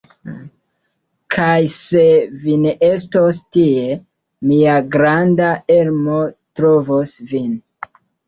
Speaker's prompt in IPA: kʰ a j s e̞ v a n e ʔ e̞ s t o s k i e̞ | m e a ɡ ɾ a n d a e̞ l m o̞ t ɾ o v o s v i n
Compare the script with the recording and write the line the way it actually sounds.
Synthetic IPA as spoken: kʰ a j s e̞ v i n e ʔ e̞ s t o s t i e̞ | m i a ɡ ɾ a n d a e̞ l m o̞ t ɾ o v o s v i n